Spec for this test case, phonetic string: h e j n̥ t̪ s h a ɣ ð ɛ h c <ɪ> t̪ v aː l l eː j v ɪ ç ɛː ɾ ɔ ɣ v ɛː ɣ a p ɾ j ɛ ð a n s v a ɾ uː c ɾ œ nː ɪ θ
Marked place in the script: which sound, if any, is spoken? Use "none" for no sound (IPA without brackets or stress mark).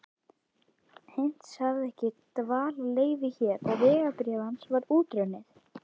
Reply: ɪ